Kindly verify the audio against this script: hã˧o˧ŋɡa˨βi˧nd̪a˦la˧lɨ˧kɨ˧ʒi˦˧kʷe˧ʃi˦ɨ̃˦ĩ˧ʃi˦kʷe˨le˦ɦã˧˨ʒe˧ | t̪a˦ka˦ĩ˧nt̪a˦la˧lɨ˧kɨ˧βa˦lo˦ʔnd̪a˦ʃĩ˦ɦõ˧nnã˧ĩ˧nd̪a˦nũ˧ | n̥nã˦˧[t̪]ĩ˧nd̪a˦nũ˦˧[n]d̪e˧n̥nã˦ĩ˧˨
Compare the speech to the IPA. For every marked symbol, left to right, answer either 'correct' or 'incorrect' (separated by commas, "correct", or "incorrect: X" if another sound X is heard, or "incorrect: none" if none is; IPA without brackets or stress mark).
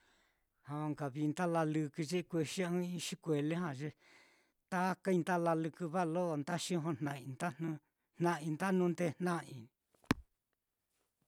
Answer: incorrect: none, correct